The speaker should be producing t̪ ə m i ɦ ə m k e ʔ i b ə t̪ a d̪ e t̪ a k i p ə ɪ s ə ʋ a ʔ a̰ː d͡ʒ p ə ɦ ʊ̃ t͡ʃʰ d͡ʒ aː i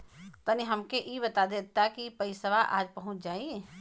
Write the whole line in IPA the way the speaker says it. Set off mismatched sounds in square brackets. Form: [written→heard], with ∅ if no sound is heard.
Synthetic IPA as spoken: t̪ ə [m→n] i ɦ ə m k e ʔ i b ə t̪ a d̪ e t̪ a k i p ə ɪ s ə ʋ a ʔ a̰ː d͡ʒ p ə ɦ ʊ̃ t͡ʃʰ d͡ʒ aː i